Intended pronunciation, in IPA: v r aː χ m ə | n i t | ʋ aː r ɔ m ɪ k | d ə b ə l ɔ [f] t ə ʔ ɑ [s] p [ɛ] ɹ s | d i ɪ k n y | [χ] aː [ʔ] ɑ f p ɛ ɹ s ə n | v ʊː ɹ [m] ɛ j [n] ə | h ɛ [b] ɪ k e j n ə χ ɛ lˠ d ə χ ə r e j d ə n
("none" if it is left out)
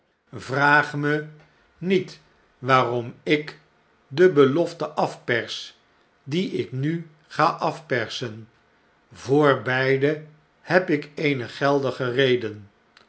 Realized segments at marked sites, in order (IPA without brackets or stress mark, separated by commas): f, f, ɛ, χ, ʔ, b, d, p